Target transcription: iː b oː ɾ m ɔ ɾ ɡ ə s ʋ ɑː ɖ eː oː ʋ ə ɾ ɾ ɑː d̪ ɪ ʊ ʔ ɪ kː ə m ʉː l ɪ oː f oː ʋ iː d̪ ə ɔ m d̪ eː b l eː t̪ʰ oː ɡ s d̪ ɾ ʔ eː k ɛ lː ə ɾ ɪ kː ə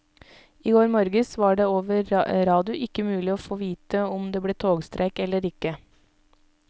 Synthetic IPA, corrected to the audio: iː ɡ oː ɾ m ɔ ɾ ɡ ə s ʋ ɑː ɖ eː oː ʋ ə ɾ ɾ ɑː d̪ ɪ ʊ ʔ ɪ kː ə m ʉː l ɪ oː f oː ʋ iː t̪ ə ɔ m d̪ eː b l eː t̪ʰ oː ɡ s t̪ ɾ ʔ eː k ɛ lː ə ɾ ɪ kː ə